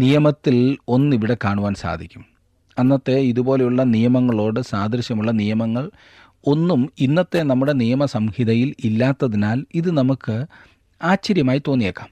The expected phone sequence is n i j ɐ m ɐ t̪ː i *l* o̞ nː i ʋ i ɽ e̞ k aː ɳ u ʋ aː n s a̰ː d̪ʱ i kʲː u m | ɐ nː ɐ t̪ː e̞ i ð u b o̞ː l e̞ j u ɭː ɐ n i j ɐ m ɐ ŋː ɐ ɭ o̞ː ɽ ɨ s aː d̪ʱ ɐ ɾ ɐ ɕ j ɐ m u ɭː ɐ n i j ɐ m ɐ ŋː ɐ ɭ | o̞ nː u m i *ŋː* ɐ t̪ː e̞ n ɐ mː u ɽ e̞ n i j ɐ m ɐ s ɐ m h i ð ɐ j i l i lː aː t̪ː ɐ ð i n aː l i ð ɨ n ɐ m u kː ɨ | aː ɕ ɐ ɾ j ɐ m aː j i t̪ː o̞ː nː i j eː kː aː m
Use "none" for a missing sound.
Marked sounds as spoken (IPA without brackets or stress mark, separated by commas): l, nː